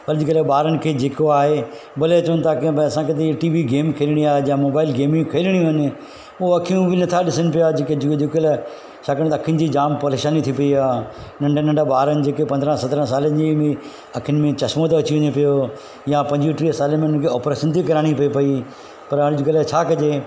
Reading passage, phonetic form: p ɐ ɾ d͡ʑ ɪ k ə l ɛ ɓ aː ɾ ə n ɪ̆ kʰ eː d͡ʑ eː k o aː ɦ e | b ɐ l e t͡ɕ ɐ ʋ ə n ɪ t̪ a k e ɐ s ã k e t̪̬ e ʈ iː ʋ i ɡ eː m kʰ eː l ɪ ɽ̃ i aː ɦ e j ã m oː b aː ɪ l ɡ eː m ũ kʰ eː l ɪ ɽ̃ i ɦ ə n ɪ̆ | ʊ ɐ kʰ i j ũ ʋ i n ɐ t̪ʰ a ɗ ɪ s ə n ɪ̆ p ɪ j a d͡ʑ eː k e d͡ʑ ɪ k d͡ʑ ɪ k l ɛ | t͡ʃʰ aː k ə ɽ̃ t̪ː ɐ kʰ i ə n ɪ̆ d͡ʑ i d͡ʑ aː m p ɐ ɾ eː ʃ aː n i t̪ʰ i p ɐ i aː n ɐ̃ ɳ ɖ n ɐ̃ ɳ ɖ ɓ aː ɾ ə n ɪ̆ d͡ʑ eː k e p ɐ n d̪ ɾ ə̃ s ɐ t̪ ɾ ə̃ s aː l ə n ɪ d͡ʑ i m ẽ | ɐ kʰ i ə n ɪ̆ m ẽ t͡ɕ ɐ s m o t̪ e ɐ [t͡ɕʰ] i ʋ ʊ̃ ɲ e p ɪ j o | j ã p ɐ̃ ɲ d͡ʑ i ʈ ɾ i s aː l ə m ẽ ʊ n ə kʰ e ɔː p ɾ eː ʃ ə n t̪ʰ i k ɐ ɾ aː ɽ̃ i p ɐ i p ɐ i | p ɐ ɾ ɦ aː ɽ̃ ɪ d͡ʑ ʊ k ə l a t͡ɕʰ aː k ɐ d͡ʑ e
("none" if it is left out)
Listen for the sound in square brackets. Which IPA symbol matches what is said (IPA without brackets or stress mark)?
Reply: t͡ɕ